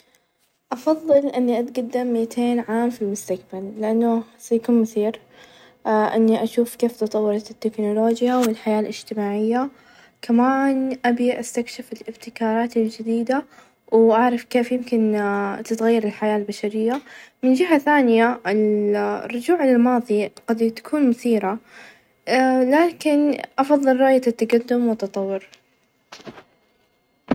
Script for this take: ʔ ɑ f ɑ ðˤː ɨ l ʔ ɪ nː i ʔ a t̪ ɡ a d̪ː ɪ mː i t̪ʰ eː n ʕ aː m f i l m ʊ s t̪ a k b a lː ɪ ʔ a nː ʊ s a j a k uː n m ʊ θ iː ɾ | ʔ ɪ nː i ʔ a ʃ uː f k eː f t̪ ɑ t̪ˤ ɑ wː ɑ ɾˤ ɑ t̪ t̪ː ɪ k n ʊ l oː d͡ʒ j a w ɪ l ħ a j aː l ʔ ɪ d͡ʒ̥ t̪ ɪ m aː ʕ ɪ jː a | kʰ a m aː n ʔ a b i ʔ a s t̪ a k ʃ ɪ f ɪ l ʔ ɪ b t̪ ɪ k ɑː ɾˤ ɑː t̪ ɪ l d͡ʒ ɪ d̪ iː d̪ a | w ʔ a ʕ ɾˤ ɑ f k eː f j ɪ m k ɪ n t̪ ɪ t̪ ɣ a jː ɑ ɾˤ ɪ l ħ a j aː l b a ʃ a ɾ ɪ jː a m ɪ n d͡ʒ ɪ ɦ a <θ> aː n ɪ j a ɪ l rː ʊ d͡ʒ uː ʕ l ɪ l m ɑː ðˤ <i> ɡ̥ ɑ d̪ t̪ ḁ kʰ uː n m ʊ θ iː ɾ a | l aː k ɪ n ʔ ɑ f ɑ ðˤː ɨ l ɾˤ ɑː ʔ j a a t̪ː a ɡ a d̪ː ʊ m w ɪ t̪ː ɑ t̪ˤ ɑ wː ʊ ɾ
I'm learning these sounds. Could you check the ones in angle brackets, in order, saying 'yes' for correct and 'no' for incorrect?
yes, yes

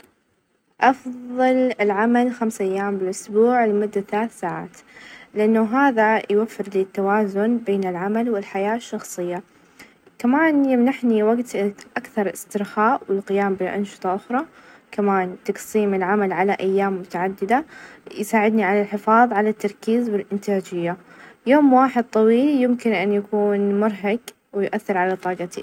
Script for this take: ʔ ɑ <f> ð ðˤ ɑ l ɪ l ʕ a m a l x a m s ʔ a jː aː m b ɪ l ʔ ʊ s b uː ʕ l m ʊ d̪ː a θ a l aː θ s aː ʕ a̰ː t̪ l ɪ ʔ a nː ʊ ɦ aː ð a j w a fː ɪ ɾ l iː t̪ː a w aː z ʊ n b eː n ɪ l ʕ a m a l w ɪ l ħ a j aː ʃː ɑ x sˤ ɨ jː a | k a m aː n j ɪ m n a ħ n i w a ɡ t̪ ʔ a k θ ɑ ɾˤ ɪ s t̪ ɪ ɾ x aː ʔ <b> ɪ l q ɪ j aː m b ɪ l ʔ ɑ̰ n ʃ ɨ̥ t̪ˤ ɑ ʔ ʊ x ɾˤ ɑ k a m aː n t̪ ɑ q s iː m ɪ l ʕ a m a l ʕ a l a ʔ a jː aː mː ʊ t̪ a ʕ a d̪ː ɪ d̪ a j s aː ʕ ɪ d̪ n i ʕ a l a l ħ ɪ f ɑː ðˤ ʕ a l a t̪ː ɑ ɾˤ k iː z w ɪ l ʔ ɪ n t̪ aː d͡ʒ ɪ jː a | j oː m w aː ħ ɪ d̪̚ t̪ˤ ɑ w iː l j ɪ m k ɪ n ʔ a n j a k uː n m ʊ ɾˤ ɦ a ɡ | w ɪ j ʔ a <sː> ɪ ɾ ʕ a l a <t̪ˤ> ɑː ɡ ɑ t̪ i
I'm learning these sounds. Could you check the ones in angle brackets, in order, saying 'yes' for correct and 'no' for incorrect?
yes, no, no, yes

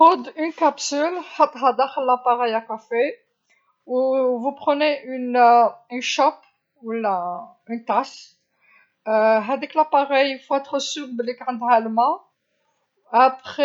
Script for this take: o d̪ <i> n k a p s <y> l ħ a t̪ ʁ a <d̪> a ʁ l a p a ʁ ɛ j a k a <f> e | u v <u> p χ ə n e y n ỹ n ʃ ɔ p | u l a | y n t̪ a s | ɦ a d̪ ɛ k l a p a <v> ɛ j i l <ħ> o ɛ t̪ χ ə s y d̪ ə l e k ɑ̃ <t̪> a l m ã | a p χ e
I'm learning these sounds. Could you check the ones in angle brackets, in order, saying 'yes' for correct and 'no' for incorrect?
no, yes, yes, yes, yes, no, no, no

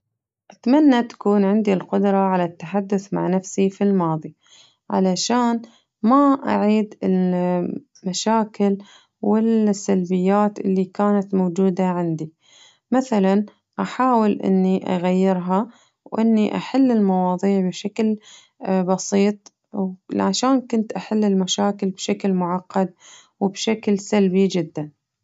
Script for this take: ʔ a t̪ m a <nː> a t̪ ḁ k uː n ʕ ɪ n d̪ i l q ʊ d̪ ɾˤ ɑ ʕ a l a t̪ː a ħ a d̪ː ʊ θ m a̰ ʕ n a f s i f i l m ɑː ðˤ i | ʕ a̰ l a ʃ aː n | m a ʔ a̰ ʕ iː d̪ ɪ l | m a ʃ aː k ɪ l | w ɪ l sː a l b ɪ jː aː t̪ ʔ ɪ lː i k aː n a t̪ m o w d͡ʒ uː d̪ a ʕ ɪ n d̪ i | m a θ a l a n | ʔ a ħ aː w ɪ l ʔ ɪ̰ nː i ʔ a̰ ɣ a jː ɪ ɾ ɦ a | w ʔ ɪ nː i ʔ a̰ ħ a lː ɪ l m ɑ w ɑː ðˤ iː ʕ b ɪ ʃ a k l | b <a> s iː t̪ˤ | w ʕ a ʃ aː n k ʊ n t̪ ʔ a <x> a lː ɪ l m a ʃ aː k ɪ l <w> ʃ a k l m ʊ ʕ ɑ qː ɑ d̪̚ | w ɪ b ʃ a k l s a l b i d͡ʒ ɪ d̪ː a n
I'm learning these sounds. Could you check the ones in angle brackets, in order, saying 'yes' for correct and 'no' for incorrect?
yes, no, no, no

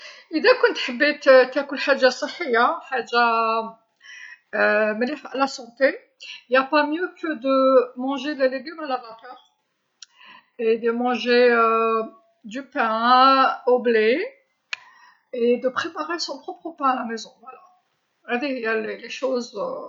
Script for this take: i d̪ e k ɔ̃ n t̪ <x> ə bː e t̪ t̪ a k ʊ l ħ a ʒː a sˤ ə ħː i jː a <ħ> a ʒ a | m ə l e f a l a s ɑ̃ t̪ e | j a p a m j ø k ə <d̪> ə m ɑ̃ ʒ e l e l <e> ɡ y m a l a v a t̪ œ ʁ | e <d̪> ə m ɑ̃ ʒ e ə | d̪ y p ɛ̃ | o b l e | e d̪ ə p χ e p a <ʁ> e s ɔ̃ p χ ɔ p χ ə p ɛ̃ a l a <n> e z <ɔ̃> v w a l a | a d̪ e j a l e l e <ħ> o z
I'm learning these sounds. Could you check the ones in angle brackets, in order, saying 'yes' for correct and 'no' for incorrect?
no, yes, yes, yes, yes, yes, no, yes, no

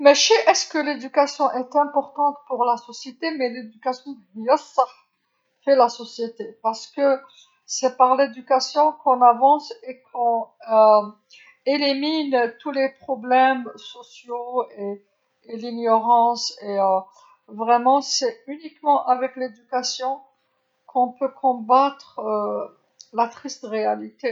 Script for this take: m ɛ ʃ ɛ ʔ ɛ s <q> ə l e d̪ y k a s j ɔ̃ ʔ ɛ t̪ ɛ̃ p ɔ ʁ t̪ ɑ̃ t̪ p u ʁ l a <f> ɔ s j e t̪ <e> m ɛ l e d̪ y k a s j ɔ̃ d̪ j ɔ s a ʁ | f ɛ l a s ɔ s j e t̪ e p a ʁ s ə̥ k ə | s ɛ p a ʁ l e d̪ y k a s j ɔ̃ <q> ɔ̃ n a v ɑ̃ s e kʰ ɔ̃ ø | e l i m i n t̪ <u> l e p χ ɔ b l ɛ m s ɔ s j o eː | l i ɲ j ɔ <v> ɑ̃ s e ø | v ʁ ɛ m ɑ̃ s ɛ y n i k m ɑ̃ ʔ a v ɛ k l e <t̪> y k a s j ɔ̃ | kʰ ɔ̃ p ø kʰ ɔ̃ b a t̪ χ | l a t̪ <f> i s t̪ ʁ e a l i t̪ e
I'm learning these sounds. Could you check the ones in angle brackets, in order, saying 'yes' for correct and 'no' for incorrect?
no, no, yes, no, yes, no, no, no

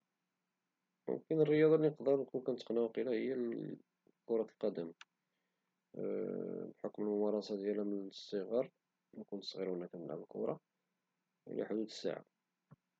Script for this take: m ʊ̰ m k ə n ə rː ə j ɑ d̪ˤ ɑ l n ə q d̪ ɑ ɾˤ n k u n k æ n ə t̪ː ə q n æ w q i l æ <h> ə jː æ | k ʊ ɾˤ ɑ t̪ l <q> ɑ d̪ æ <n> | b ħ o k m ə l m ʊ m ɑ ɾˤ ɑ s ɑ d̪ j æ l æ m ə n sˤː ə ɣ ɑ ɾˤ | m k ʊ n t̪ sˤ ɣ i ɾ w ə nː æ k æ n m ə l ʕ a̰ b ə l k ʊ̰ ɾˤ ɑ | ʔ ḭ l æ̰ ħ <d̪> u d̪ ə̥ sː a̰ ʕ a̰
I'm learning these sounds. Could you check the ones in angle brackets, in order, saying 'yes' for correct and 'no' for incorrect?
yes, yes, no, yes

